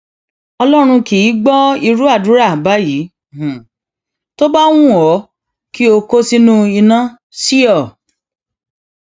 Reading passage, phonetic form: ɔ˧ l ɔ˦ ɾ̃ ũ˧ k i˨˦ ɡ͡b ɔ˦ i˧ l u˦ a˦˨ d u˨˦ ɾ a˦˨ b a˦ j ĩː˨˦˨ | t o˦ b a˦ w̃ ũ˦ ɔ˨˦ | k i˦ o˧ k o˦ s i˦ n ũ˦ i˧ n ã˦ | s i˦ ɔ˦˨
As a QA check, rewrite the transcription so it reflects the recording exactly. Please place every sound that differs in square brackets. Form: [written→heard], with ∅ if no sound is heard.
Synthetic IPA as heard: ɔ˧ l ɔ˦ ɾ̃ ũ˧ k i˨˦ ɡ͡b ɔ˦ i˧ [l→ɾ] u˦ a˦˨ d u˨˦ ɾ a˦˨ b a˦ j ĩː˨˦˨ | t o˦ b a˦ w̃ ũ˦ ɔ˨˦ | k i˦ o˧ k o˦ s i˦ n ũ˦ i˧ n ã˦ | s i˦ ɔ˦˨